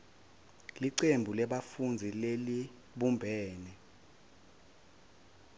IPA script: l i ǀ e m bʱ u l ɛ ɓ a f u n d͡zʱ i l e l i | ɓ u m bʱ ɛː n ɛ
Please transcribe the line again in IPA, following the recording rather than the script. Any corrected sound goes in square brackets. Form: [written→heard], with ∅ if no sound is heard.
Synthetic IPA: l i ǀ e m bʱ u l ɛ ɓ a f u n d͡zʱ i l e l i | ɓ u m bʱ ɛː n ɛ